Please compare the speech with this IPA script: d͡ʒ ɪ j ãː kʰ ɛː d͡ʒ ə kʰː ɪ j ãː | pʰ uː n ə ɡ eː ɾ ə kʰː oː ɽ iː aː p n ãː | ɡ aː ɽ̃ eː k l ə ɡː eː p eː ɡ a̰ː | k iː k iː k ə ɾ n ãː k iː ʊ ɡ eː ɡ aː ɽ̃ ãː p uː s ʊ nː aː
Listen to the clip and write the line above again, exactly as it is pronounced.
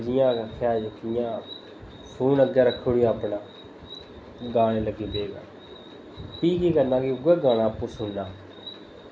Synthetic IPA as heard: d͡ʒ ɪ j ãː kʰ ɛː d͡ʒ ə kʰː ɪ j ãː | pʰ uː n ə ɡ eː ɾ ə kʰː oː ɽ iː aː p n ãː | ɡ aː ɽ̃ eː l ə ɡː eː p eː ɡ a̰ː | p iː k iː k ə ɾ n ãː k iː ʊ ɡ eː ɡ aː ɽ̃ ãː p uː s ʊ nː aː

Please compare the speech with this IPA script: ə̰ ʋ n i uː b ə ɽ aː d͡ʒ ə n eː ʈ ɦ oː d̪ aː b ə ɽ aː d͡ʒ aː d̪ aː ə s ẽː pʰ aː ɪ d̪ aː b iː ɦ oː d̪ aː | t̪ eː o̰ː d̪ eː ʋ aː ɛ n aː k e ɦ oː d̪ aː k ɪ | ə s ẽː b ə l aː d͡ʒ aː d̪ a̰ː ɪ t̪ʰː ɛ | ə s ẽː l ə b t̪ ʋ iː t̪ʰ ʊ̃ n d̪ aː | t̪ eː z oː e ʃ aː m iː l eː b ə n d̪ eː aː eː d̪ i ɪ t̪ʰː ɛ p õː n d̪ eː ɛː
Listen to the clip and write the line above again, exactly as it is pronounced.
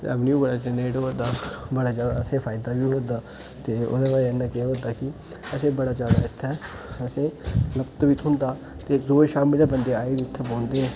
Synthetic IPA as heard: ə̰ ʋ n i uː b ə ɽ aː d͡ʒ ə n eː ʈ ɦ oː d̪ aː b ə ɽ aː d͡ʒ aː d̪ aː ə s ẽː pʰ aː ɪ d̪ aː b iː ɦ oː d̪ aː | t̪ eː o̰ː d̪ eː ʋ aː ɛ n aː k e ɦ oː d̪ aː k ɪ | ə s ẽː b ə ɽ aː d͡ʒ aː d̪ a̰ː ɪ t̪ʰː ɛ | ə s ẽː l ə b t̪ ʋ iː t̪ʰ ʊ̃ n d̪ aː | t̪ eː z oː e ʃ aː m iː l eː b ə n d̪ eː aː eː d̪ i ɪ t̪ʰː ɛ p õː n d̪ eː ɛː

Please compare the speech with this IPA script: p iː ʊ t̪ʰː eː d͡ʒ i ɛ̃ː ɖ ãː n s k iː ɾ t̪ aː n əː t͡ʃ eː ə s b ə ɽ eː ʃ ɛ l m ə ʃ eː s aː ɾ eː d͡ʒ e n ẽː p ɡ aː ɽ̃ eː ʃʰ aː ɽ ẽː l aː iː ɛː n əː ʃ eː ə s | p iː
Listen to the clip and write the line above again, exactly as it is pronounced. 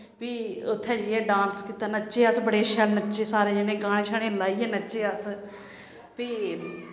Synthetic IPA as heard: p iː ʊ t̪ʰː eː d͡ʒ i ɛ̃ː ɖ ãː n s k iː t̪ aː n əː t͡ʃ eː ə s b ə ɽ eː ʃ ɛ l n ə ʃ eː s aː ɾ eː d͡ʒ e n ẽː ɡ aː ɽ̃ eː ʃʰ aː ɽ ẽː l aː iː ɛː n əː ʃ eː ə s | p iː

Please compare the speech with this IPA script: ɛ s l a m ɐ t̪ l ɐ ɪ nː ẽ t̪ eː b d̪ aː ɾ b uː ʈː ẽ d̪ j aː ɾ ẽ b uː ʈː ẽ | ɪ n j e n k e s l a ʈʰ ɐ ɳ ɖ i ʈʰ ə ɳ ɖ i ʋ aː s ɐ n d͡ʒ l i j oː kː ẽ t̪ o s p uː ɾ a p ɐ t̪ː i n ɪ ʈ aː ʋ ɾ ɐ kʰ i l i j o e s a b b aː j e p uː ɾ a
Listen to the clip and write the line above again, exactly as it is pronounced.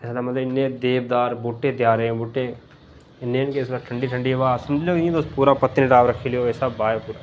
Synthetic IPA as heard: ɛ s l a m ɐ t̪ l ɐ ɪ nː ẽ d̪ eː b d̪ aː ɾ b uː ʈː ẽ d̪ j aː ɾ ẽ b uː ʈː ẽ | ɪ n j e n k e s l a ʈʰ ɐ ɳ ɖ i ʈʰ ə ɳ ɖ i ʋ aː s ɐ m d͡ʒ l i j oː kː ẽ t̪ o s p uː ɾ a p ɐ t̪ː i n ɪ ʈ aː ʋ ɾ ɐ kʰ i l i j o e s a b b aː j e p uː ɾ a

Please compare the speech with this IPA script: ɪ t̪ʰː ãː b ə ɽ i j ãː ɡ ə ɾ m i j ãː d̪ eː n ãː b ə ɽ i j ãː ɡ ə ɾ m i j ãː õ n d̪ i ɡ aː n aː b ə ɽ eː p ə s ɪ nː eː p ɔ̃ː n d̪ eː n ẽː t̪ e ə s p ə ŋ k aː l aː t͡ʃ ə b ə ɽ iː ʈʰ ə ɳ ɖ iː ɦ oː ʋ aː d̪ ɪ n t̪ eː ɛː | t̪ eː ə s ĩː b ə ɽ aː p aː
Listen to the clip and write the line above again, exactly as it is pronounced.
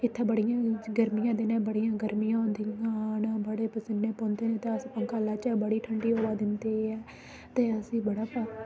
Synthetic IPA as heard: ɪ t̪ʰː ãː b ə ɽ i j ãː ɡ ə ɾ m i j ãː d̪ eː n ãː b ə ɽ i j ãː ɡ ə ɾ m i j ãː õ n d̪ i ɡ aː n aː b ə ɽ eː p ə s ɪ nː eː p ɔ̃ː n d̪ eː n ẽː t̪ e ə s p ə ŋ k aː l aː t͡ʃ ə b ə ɽ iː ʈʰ ə ɳ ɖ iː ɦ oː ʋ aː d̪ ɪ n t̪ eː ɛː | t̪ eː ə s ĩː b ə ɽ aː p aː

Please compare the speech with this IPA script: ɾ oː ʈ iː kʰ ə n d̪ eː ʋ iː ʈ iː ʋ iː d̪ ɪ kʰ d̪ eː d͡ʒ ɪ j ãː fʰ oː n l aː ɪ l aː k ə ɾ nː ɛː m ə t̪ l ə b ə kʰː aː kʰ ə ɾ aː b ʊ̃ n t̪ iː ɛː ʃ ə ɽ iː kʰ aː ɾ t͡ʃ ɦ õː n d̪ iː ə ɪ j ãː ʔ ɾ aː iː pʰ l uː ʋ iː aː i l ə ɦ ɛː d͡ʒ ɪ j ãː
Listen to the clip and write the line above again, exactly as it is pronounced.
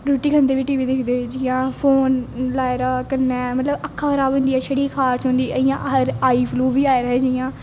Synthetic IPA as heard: ɾ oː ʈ iː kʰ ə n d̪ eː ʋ iː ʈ iː ʋ iː d̪ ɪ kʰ d̪ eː d͡ʒ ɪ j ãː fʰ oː n l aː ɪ ɾ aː k ə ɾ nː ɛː m ə t̪ l ə b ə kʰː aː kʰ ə ɾ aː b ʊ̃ n d̪ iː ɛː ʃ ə ɽ iː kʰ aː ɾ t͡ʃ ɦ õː n d̪ iː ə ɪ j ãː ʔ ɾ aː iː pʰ l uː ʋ iː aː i ɾ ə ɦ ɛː d͡ʒ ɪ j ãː

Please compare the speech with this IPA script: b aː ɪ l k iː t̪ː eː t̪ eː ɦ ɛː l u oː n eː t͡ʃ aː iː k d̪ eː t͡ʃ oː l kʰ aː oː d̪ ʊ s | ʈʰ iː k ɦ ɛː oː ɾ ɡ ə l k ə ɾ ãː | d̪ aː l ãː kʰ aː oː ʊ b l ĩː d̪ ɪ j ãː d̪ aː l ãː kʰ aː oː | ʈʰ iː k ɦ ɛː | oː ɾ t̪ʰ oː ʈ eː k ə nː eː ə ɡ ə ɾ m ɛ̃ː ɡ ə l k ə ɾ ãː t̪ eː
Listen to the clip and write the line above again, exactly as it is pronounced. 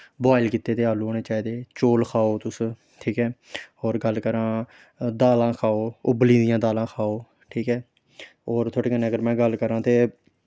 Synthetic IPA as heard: b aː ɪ l k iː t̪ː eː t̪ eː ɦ aː l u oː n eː t͡ʃ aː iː d̪ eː t͡ʃ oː l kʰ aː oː t̪ ʊ s | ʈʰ iː k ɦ ɛː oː ɾ ɡ ə l k ə ɾ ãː | d̪ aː l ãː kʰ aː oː ʊ b l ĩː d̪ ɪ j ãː d̪ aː l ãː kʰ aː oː | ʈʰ iː k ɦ ɛː | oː ɾ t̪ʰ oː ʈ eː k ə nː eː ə ɡ ə ɾ m ɛ̃ː ɡ ə l k ə ɾ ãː t̪ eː

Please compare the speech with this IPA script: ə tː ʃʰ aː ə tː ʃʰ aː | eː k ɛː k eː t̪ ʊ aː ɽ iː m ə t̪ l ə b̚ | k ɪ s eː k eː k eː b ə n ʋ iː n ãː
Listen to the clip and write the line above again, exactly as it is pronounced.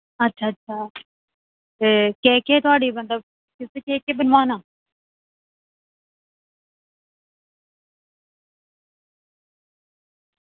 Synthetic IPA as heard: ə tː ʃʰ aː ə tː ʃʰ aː | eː k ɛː k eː t̪ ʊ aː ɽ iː m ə t̪ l ə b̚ | k ɪ s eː k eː k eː b ə n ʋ aː n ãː

